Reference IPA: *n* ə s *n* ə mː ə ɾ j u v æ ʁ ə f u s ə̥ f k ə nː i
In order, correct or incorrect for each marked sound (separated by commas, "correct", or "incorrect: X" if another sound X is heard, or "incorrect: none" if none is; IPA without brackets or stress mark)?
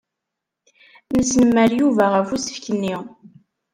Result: correct, correct